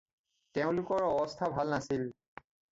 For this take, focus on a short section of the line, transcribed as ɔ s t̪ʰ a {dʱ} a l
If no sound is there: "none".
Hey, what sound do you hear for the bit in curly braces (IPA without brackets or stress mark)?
bʱ